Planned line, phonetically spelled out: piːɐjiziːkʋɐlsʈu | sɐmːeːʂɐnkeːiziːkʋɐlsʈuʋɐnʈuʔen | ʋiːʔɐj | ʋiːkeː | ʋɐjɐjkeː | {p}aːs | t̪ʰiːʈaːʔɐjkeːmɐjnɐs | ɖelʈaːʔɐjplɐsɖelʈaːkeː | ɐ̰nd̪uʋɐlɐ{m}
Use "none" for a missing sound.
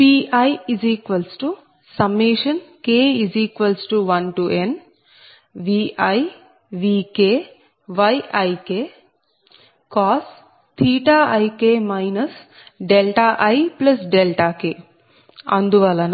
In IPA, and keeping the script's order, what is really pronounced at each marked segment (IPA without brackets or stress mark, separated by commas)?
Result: k, n